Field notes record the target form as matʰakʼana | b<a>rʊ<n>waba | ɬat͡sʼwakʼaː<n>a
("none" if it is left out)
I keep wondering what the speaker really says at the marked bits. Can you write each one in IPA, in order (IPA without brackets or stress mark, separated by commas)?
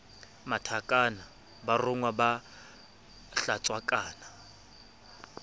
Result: a, ŋ, n